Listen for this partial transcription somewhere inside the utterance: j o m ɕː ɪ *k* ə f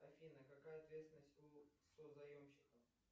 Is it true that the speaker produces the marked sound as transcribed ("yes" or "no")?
yes